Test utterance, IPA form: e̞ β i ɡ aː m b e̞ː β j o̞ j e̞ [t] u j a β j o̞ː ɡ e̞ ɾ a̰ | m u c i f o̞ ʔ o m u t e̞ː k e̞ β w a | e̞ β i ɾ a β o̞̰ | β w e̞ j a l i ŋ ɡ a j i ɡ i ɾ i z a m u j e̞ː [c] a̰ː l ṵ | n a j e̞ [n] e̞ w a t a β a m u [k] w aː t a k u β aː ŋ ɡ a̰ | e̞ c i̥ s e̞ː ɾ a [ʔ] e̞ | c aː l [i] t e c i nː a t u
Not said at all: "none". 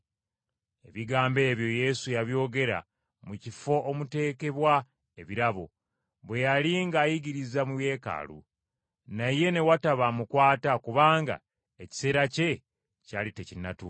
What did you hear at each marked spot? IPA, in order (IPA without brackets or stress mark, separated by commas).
s, k, n, k, c, i